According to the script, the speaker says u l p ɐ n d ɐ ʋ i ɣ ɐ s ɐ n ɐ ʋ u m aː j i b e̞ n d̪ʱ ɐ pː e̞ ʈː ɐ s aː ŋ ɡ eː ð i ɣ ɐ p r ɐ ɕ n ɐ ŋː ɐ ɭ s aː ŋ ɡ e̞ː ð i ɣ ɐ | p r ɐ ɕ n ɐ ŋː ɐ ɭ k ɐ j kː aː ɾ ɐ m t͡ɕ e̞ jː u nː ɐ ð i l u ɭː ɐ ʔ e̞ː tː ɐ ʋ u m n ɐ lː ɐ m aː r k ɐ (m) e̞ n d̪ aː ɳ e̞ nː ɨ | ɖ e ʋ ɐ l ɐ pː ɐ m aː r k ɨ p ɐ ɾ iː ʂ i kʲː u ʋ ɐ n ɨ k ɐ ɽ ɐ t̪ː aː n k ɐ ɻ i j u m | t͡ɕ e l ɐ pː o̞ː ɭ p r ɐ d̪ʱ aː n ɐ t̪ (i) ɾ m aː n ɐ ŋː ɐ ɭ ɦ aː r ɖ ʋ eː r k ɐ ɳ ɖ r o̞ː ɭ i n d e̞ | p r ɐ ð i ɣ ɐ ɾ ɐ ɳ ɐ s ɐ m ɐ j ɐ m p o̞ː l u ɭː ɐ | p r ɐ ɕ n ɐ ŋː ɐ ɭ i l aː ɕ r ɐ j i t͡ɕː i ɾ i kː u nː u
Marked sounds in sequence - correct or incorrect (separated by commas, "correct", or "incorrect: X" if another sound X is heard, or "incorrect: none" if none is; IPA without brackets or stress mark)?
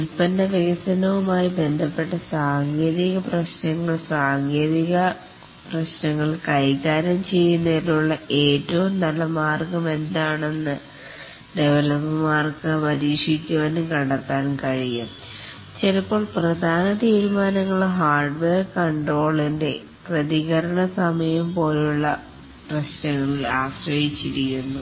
correct, incorrect: iː